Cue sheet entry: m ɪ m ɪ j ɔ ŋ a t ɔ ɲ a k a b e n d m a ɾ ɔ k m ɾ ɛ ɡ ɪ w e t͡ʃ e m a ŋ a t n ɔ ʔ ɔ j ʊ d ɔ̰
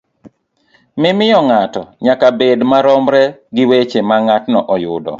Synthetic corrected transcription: m ɪ m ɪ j ɔ ŋ a t ɔ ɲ a k a b e d m a ɾ ɔ m ɾ ɛ ɡ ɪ w e t͡ʃ e m a ŋ a t n ɔ ʔ ɔ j ʊ d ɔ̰